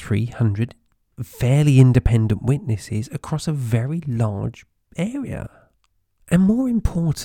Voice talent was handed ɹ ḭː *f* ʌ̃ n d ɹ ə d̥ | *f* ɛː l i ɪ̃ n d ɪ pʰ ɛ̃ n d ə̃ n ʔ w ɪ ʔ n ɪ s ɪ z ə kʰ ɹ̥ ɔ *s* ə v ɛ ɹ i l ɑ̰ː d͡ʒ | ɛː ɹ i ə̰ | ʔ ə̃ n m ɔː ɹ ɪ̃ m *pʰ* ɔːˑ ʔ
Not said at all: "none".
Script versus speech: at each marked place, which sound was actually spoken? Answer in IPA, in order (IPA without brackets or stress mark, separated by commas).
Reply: h, f, s, pʰ